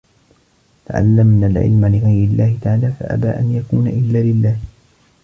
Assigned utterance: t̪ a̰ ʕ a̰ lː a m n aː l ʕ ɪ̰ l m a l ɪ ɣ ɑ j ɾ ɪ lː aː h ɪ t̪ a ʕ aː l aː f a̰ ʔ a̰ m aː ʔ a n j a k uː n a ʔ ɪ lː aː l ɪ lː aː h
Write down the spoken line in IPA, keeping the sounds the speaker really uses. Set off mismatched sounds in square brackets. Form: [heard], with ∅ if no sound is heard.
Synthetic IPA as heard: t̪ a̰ ʕ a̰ lː a m n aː l ʕ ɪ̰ l m a l ɪ ɣ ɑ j ɾ ɪ lː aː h ɪ t̪ a ʕ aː l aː f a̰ ʔ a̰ [b] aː ʔ a n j a k uː n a ʔ ɪ lː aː l ɪ lː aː h